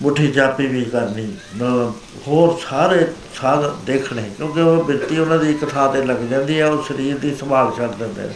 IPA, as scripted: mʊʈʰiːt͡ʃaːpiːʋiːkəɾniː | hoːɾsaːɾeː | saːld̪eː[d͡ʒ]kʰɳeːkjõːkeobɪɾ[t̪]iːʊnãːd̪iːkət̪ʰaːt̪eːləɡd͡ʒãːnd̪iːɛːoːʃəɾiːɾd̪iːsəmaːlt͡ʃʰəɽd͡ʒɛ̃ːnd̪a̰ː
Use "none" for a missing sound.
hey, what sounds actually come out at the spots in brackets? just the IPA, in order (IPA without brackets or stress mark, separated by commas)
none, t̪